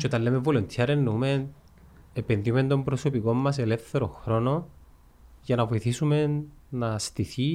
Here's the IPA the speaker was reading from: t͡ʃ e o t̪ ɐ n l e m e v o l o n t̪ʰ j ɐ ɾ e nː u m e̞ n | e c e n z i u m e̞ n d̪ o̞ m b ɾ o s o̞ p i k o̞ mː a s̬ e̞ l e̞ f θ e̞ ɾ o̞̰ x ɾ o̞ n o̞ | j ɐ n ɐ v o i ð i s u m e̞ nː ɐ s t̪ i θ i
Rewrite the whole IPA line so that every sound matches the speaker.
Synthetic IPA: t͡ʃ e o t̪ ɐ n l e m e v o l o n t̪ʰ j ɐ ɾ e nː u m e̞ n | e p e n ð i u m e̞ n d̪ o̞ m b ɾ o s o̞ p i k o̞ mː ɐ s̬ e̞ l e̞ f θ e̞ ɾ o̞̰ x ɾ o̞ n o̞ | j ɐ n ɐ v o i θ i s u m e̞ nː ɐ s t̪ i θ i